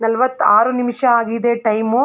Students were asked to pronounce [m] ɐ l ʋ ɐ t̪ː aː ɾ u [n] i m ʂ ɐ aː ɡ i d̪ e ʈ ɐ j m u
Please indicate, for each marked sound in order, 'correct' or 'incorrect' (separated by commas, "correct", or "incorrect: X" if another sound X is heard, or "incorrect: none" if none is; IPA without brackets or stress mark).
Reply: incorrect: n, correct